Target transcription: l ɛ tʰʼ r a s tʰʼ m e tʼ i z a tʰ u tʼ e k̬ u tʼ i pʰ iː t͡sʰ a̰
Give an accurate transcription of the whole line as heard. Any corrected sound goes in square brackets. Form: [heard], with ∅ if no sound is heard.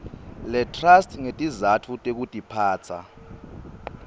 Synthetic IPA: l ɛ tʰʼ r a s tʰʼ [ŋ] e tʼ i z a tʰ u tʼ e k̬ u tʼ i pʰ [aː] t͡sʰ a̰